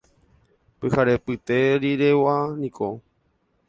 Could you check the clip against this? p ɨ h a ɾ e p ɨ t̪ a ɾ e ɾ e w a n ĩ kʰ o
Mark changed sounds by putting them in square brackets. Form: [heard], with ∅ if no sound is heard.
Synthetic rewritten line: p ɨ h a ɾ e p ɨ t̪ [e] ɾ [i] ɾ e w a n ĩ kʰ o